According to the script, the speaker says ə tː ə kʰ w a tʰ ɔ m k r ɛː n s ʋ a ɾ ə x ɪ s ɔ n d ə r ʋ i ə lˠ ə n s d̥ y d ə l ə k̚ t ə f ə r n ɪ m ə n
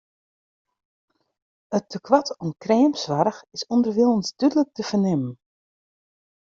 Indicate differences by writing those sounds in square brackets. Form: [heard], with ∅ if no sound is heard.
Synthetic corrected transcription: ə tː ə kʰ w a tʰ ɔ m k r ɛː [m] s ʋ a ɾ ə x ɪ s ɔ n d ə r ʋ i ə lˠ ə n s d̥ y d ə l ə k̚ t ə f ə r n ɪ m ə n

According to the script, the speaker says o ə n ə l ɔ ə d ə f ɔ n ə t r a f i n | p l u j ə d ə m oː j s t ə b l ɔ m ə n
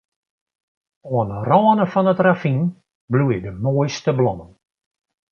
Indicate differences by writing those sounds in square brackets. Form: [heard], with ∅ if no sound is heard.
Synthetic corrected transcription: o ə n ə [r] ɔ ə [n] ə f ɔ n ə t r a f i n | [b] l u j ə d ə m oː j s t ə b l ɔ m ə n

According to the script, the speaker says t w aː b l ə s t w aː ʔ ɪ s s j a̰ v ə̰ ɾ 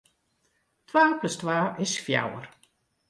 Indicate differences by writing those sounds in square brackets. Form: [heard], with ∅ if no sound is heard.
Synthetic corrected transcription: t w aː [p] l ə s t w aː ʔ ɪ s [f] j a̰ [w] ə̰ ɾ

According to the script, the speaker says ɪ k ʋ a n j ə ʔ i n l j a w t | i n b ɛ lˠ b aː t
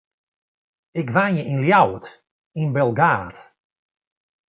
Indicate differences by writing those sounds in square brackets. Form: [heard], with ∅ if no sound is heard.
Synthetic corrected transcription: ɪ k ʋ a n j ə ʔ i n l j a w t | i n b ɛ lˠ [ɡ] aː t

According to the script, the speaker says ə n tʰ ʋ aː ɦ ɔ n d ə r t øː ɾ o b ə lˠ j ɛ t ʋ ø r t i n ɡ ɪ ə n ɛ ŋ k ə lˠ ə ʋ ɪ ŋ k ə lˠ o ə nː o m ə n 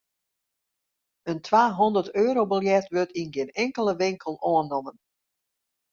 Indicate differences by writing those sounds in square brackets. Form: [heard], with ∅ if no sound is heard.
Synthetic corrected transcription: ə n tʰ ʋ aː ɦ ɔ n d ə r t øː ɾ o b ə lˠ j ɛ t ʋ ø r t i n ɡ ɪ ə n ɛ ŋ k ə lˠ ə ʋ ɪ ŋ k ə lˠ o ə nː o m ə n

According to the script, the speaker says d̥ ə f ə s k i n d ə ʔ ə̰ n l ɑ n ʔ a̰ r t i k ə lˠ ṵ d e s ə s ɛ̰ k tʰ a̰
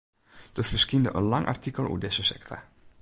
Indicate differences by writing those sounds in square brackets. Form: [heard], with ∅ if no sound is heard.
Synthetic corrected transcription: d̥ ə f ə s k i n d ə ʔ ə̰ n l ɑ [ŋ] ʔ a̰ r t i k ə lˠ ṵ d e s ə s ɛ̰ k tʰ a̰

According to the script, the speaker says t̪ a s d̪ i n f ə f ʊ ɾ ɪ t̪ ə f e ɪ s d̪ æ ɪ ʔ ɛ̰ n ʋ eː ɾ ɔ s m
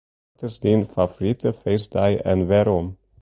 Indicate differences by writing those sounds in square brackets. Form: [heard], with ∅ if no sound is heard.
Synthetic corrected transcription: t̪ [ə] s d̪ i n f [ɑ] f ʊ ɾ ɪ t̪ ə f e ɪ s d̪ æ ɪ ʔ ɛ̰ n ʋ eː ɾ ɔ [∅] m

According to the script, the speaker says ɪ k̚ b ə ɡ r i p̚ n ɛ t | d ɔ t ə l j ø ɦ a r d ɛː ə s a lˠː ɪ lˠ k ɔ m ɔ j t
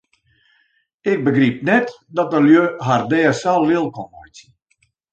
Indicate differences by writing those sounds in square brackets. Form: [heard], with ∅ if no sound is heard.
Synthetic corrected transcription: ɪ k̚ b ə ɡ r i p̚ n ɛ t | d ɔ t ə l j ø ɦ a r d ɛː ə s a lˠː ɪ lˠ k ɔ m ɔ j t

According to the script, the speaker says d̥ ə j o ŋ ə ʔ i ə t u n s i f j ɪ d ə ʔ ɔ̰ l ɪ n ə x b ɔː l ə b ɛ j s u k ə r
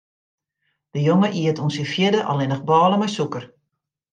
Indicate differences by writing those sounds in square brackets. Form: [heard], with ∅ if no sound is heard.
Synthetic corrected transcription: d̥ ə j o ŋ ə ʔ i ə t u n s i f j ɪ d ə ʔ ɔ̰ l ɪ n ə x b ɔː l ə [m] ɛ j s u k ə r

